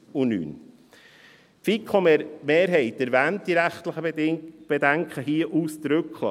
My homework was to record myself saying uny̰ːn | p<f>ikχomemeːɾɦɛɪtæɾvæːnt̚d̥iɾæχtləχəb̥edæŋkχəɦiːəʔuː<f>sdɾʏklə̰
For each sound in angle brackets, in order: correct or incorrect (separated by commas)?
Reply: correct, incorrect